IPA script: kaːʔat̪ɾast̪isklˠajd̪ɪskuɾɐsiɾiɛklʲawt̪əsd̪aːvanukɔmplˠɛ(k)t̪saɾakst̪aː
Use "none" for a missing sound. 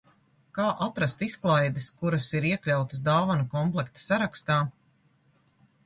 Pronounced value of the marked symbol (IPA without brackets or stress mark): k